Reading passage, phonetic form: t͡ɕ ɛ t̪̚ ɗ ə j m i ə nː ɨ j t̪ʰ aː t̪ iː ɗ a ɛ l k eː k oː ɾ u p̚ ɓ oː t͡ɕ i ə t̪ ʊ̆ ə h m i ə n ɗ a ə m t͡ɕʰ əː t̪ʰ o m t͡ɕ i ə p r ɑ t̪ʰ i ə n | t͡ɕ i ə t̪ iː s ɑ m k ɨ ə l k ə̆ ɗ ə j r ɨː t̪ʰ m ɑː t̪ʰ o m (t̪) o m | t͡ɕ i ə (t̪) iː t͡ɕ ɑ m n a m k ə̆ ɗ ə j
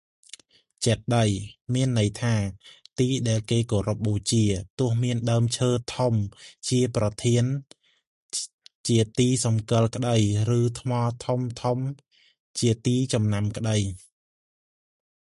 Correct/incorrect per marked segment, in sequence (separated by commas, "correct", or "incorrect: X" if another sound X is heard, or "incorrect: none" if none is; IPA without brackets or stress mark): incorrect: t̪ʰ, correct